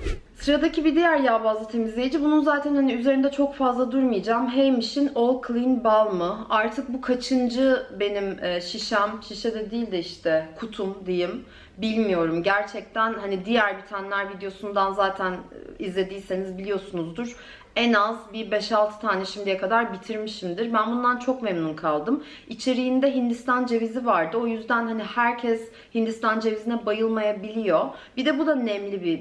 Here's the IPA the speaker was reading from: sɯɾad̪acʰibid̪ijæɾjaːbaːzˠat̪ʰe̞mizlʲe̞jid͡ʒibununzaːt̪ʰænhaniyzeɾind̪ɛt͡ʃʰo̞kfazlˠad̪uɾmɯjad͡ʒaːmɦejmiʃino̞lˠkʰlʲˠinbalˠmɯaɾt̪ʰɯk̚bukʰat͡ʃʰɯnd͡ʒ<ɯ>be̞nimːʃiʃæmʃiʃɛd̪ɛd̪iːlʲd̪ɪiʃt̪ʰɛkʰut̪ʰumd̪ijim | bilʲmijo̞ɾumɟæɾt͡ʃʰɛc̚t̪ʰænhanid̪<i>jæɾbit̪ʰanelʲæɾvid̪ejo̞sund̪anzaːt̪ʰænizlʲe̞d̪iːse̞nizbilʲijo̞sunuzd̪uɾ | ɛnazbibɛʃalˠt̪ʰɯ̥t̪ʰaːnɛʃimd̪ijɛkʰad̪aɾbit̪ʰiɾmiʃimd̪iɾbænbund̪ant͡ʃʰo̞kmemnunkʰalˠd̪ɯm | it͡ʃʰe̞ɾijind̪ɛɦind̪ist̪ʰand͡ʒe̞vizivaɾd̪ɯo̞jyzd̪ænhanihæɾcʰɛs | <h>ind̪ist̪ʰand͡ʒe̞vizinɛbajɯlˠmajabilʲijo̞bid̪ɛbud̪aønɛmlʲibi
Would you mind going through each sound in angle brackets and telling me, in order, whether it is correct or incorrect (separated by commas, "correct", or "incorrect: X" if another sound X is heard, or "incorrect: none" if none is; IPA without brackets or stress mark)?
correct, correct, correct